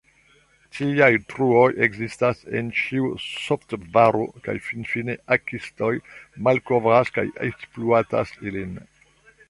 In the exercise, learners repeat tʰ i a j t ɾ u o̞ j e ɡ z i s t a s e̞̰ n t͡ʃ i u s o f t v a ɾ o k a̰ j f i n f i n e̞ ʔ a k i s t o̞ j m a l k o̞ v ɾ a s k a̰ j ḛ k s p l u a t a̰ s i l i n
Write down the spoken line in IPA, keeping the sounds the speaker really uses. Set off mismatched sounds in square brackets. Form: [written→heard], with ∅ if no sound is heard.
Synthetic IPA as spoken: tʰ i a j t ɾ u o̞ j e ɡ z i s t a s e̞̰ n t͡ʃ i u s o f t v a ɾ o k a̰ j f i n f i n e̞ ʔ a k i s t o̞ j m a l k o̞ v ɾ a s k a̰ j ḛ k s p l u a t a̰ s i l i n